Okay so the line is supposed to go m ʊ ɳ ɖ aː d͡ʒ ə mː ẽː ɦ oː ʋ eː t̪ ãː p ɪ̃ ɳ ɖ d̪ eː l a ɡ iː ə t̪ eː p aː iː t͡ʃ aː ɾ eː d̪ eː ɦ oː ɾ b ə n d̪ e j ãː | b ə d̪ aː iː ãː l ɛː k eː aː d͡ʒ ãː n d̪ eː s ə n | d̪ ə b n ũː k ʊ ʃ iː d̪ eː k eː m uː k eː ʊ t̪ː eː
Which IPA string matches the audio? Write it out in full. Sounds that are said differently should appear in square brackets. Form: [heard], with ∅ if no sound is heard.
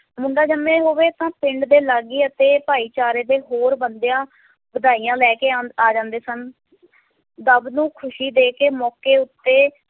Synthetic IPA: m ʊ ɳ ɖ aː d͡ʒ ə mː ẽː ɦ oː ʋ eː t̪ ãː p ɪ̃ ɳ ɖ d̪ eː l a ɡ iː ə t̪ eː p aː iː t͡ʃ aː ɾ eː d̪ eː ɦ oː ɾ b ə n d̪ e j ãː | b ə d̪ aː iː ãː l ɛː k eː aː d͡ʒ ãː n d̪ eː s ə n | d̪ ə b n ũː [kʰ] ʊ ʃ iː d̪ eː k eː m [ɔː] k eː ʊ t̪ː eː